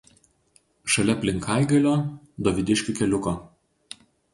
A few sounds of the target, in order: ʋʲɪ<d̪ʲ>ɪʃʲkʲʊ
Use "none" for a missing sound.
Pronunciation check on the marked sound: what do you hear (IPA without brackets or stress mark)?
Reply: d̪ʲ